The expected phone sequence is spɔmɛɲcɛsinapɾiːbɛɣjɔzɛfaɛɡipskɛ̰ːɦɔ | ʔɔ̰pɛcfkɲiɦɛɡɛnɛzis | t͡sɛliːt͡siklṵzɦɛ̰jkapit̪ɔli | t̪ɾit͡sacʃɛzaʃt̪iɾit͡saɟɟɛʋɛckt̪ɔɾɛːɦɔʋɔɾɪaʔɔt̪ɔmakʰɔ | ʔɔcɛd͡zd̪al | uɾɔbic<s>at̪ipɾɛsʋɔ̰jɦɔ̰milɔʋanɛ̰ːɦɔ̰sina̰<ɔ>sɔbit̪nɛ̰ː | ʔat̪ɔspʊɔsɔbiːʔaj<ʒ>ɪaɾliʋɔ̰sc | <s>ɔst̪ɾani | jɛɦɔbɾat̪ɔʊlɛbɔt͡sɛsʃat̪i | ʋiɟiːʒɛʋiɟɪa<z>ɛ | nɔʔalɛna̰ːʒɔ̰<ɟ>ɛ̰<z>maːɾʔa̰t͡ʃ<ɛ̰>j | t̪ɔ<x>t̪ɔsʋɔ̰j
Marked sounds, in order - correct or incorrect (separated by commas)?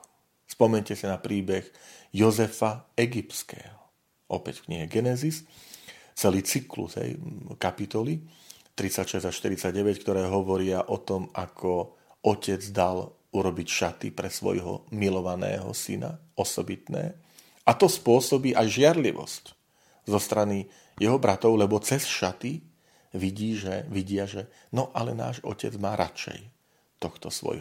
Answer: incorrect, correct, correct, incorrect, incorrect, incorrect, incorrect, correct, correct